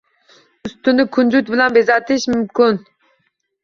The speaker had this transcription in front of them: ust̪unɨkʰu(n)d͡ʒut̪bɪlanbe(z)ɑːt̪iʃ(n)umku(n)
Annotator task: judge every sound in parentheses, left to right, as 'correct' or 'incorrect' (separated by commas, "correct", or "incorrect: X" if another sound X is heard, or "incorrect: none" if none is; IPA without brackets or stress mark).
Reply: correct, correct, incorrect: m, correct